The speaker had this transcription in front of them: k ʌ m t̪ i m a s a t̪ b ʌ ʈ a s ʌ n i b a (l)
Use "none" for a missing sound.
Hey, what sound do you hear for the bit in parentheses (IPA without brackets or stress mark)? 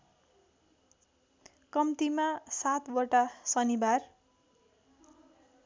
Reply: r